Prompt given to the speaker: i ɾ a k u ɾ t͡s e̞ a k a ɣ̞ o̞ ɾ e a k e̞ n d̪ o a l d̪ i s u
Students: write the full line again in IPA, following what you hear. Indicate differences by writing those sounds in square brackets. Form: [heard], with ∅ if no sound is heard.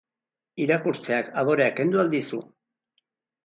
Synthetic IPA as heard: i ɾ a k u ɾ t͡s e̞ a k a [ð̞] o̞ ɾ e a k e̞ n d̪ [u] a l d̪ i s u